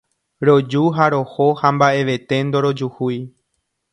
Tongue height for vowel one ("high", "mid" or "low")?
mid